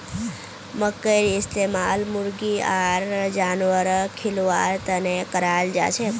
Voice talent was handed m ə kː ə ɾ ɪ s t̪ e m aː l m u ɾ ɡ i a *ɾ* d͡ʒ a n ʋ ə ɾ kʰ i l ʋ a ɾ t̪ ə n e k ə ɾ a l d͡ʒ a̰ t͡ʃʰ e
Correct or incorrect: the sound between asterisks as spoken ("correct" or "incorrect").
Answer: correct